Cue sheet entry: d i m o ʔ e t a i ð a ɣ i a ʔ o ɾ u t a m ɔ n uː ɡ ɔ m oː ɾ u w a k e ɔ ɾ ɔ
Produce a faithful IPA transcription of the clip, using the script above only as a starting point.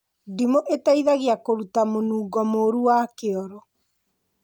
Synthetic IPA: d i m o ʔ e t a i ð a ɣ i a k o ɾ u t a m o n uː ɡ ɔ m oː ɾ u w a k e ɔ ɾ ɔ